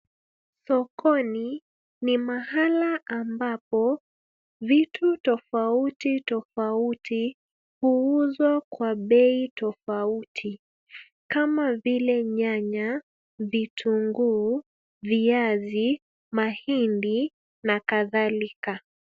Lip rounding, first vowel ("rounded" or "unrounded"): rounded